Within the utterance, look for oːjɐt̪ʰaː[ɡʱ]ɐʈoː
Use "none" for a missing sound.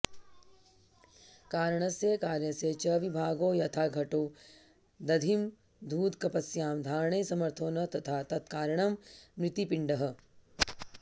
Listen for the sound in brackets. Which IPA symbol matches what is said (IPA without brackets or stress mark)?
ɡʱ